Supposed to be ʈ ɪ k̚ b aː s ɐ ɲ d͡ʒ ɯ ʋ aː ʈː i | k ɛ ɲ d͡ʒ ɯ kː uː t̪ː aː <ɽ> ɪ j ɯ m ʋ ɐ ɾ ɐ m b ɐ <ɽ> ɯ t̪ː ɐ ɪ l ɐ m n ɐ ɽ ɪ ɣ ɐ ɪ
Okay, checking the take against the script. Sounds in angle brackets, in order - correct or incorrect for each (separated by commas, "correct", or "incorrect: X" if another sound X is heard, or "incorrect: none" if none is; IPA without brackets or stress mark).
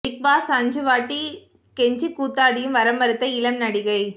correct, incorrect: ɾ